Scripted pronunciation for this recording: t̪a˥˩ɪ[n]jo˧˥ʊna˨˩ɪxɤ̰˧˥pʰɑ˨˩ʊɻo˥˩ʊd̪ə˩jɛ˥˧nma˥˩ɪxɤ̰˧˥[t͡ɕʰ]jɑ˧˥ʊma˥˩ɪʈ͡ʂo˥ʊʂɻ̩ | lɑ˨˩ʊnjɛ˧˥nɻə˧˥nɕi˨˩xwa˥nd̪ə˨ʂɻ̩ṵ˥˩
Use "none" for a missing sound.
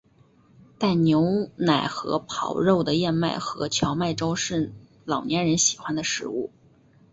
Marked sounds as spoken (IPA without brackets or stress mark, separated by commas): n, t͡ɕʰ